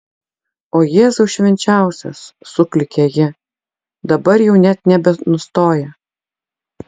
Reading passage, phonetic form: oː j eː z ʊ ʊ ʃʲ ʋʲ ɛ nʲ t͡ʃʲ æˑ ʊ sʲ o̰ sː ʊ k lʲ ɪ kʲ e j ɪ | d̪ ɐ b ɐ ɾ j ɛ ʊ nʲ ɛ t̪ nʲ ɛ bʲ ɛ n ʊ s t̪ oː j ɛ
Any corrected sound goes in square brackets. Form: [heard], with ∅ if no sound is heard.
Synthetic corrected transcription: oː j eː z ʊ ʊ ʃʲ ʋʲ ɛ nʲ t͡ʃʲ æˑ ʊ sʲ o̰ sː ʊ k lʲ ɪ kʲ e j ɪ | d̪ ɐ b ɐ ɾ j ɛ ʊ nʲ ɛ t̪ nʲ ɛ bʲ ɛ n ʊ s t̪ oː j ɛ